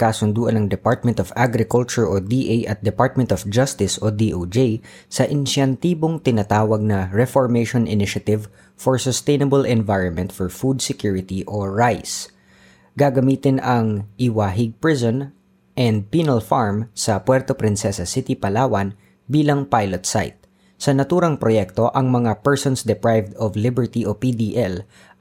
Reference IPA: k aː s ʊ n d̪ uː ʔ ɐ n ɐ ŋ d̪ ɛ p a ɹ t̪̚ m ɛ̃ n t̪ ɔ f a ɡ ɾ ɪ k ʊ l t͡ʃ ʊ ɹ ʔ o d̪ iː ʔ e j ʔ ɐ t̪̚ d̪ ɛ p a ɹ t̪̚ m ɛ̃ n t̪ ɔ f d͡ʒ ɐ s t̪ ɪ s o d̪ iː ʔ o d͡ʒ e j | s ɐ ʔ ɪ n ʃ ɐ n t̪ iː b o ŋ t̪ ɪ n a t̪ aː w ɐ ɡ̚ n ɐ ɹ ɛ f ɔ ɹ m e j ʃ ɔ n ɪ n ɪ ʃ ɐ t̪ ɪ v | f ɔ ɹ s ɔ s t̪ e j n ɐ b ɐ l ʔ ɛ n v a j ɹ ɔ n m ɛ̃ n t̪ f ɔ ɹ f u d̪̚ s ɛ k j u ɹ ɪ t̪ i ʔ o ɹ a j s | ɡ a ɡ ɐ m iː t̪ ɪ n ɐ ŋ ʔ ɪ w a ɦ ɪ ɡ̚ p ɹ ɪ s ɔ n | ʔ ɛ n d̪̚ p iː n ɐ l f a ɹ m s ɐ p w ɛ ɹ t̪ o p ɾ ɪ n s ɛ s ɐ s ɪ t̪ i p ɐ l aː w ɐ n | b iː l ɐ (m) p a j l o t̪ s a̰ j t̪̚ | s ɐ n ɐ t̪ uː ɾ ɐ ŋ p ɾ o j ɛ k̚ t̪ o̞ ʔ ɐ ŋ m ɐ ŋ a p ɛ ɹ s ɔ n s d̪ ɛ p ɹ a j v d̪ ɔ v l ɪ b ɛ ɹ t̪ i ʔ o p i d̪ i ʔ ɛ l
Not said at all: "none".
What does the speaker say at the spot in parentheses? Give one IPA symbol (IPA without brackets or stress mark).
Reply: ŋ